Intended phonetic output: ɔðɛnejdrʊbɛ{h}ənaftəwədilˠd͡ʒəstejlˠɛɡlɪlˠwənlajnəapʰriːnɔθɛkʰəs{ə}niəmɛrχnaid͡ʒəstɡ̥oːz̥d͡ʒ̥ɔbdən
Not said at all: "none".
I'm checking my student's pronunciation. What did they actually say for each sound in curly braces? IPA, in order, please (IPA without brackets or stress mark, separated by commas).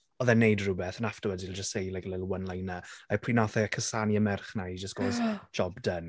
θ, a